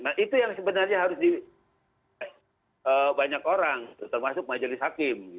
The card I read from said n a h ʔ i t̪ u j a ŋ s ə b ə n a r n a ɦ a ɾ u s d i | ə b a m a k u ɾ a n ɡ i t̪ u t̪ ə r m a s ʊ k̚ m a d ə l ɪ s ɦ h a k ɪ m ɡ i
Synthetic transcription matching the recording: n a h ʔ i t̪ u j a ŋ s ə b ə n a r ɲ a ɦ a ɾ ʊ s d i | ə b a ɲ a k o ɾ a ŋ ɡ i t̪ u t̪ ə r m a s ʊ k̚ m a d͡ʒ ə l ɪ s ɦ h a k ɪ m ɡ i